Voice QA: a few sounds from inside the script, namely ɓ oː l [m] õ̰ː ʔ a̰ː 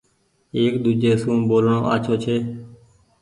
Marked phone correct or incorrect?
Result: incorrect